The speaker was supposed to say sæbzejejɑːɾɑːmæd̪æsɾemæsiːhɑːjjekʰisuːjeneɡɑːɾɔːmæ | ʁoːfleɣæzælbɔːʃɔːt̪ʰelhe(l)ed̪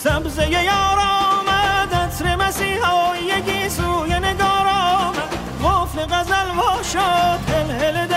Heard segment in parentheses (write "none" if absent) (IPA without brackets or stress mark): l